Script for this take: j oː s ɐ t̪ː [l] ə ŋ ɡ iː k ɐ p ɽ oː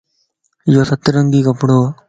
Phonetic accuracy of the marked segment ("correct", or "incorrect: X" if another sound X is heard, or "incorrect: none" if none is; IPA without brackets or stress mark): incorrect: ɾ